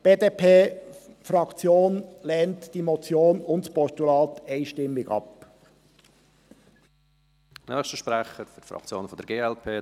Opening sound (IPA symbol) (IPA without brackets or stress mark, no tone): b̥